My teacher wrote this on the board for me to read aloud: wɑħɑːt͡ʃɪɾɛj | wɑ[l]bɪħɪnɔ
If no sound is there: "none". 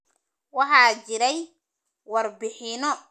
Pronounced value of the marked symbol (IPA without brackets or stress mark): r